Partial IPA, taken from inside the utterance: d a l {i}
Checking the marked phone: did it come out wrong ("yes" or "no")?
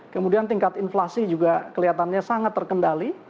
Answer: no